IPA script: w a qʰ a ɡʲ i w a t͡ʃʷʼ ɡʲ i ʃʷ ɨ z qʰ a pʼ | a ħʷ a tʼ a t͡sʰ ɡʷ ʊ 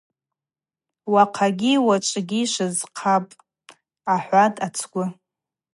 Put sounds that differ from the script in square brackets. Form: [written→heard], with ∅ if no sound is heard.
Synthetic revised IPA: w a qʰ a ɡʲ i w a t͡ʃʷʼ ɡʲ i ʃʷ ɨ z qʰ a pʼ | a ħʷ a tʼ a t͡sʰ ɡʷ ʊ